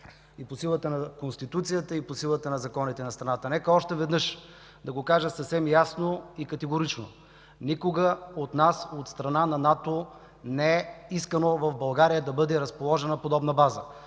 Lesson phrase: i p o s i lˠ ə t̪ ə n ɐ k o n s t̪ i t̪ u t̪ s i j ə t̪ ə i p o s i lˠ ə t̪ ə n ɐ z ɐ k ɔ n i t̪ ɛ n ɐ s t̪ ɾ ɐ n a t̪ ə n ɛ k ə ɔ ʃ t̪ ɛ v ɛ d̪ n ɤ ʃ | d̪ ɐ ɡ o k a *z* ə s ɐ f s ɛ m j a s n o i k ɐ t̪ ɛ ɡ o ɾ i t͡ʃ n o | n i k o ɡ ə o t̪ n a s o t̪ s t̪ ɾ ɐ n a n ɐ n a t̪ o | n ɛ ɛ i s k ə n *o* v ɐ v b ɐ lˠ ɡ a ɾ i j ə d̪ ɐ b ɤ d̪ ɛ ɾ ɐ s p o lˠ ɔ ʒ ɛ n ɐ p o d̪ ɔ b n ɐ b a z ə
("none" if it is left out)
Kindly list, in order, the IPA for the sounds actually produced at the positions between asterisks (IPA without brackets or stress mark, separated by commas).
ʒ, o